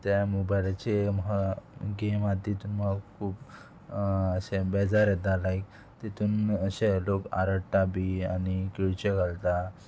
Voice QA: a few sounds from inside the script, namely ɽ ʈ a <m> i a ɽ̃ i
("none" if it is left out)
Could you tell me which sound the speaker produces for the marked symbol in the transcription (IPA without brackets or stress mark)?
b